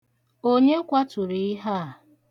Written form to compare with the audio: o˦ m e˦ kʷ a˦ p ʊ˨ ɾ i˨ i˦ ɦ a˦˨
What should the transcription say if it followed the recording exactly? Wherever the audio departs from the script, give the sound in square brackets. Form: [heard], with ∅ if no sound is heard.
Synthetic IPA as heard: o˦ [ɲ] e˦ kʷ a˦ [t] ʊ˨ ɾ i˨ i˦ ɦ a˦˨